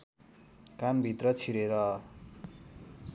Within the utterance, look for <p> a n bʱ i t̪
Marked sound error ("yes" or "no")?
yes